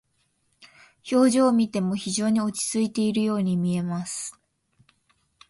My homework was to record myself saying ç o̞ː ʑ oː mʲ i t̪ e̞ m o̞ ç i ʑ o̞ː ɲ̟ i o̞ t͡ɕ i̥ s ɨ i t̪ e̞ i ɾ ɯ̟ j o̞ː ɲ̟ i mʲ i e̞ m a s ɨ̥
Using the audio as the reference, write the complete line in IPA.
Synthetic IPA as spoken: ç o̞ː ʑ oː mʲ i t̪ e̞ m o̞ ç i ʑ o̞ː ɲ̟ i o̞ t͡ɕ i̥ t͡s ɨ i t̪ e̞ i ɾ ɯ̟ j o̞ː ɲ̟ i mʲ i e̞ m a s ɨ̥